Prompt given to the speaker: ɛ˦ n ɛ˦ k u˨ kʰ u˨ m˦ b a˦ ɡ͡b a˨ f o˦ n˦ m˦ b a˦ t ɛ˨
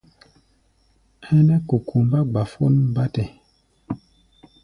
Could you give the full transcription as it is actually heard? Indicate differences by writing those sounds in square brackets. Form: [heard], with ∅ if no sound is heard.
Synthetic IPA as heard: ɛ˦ n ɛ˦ k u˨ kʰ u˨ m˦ b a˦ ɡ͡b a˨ f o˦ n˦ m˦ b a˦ t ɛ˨